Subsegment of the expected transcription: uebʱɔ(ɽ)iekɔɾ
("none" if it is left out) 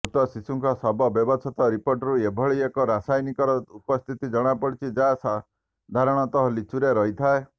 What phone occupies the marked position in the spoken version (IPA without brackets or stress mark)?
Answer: ɭ